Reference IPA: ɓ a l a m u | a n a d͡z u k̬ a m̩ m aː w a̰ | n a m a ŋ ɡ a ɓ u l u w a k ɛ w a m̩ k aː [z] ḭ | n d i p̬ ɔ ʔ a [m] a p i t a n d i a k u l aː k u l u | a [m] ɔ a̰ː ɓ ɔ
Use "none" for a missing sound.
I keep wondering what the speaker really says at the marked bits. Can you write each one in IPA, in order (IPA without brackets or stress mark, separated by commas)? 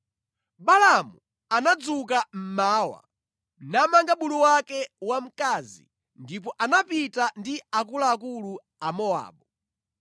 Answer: z, n, m